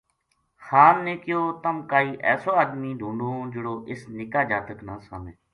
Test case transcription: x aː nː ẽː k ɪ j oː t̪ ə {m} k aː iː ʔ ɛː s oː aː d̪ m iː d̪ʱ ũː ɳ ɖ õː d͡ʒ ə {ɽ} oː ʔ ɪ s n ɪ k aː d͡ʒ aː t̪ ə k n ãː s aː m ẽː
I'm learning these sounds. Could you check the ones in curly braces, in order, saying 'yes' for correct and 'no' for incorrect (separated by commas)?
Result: yes, yes